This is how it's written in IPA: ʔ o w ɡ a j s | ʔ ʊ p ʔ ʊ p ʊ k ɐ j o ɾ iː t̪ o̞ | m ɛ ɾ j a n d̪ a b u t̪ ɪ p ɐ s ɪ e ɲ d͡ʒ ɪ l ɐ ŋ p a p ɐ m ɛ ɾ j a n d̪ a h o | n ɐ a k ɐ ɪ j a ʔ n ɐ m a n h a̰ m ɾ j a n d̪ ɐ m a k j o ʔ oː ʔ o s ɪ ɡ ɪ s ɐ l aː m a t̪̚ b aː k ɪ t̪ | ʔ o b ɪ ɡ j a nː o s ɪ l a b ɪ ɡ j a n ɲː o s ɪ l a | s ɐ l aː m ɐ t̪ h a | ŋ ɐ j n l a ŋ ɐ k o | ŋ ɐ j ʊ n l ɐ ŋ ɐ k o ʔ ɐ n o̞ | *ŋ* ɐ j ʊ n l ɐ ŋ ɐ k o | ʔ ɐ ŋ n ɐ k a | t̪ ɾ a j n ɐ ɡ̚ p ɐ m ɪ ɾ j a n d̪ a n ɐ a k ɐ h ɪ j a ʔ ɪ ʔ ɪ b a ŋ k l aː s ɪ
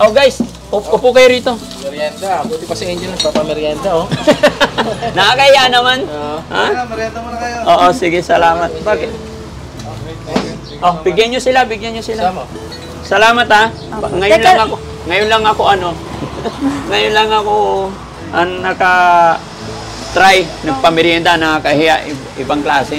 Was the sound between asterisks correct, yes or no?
yes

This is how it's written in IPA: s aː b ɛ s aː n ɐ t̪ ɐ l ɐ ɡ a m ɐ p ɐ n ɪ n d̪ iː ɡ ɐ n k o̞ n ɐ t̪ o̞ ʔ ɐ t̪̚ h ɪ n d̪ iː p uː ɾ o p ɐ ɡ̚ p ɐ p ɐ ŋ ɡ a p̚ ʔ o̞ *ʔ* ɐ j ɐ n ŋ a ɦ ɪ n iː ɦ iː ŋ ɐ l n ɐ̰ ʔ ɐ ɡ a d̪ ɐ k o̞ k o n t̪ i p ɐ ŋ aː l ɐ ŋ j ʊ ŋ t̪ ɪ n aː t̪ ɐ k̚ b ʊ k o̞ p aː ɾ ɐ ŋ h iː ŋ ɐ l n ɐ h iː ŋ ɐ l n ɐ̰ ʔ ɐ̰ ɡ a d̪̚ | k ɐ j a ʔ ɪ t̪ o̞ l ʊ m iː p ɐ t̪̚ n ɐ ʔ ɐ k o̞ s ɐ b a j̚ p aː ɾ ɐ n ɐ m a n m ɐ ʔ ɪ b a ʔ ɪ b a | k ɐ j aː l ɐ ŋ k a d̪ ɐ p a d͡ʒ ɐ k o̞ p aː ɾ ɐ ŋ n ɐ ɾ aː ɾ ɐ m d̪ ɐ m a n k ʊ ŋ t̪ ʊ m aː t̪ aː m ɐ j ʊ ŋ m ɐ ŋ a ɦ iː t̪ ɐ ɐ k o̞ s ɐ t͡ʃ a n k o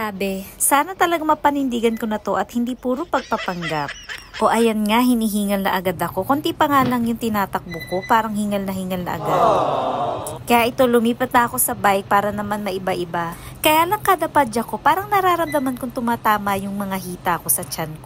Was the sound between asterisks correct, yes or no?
yes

